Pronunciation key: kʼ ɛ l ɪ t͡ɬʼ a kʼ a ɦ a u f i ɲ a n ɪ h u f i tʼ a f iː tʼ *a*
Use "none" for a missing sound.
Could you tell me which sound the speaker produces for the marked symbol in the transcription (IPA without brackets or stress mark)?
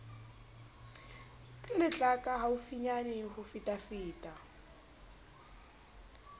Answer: a